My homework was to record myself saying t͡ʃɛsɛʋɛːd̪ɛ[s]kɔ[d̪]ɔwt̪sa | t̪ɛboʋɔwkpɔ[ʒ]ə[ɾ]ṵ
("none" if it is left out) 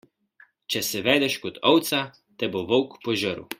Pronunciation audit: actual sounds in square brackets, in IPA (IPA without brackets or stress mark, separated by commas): ʃ, t̪, ʒ, ɾ